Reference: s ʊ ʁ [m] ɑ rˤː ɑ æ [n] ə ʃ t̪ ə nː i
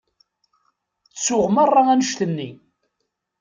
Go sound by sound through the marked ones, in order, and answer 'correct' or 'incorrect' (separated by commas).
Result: correct, correct